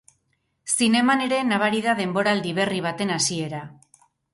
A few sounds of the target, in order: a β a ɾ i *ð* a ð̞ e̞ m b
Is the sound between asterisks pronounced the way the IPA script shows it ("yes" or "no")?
yes